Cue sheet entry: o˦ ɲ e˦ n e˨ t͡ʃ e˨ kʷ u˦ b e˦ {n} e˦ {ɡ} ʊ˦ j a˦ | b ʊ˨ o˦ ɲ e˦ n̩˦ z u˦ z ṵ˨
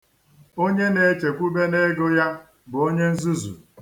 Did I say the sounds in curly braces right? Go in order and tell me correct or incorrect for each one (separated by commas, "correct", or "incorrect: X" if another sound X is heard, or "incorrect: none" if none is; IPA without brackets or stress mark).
correct, correct